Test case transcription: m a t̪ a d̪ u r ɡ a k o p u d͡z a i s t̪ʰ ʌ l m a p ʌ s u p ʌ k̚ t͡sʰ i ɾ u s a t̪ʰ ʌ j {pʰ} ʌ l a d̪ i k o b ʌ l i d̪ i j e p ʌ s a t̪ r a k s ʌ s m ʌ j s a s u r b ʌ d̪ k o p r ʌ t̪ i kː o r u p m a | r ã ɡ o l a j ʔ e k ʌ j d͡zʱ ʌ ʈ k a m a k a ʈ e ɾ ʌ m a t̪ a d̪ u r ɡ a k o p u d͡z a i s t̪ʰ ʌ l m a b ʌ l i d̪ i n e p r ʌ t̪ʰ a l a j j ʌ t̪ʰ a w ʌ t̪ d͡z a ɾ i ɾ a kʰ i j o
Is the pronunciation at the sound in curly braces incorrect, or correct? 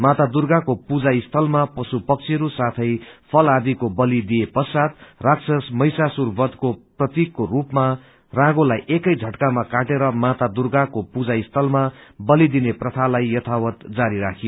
correct